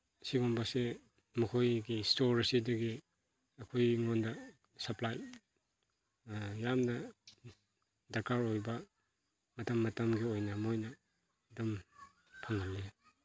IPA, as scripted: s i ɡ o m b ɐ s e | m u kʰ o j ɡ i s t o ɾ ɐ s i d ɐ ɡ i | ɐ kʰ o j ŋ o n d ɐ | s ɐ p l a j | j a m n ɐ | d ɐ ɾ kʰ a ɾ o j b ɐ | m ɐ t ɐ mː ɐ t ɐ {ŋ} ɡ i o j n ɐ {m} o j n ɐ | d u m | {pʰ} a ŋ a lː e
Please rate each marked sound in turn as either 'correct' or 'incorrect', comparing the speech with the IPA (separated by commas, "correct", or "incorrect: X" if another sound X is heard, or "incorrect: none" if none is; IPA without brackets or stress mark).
incorrect: m, correct, correct